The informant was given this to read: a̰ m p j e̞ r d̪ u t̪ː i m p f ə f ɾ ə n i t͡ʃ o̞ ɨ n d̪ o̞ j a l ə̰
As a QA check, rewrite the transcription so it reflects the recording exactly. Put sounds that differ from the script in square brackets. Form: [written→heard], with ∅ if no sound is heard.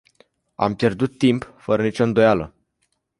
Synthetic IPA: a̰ m p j e̞ r d̪ u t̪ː i m p f ə [f→∅] ɾ ə n i t͡ʃ o̞ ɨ n d̪ o̞ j a l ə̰